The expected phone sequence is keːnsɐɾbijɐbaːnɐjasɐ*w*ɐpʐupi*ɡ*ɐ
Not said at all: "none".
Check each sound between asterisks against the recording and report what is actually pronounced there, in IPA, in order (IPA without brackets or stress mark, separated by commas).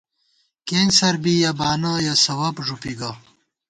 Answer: w, ɡ